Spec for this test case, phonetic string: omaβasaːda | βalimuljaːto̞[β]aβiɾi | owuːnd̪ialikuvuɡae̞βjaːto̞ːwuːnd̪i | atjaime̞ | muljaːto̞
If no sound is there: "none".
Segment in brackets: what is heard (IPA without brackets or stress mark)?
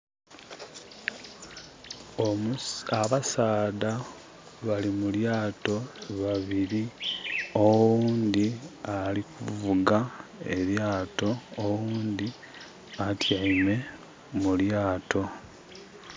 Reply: β